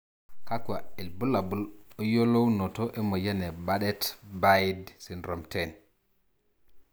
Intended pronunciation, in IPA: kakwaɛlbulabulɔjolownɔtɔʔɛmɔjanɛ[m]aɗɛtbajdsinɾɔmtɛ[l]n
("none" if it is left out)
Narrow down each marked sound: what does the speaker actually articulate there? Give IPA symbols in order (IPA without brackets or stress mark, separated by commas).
b, none